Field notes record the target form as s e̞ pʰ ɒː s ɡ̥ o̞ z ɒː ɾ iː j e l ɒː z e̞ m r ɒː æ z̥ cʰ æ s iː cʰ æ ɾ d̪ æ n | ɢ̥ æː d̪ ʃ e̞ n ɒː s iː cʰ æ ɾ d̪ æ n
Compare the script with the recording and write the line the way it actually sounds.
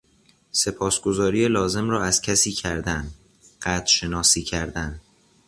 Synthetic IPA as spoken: s e̞ pʰ ɒː s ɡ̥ o̞ z ɒː ɾ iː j e l ɒː z e̞ m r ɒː æ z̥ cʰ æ s iː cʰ æ ɾ d̪ æ n | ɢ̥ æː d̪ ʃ e̞ n ɒː s iː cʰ æ ɾ d̪ æ n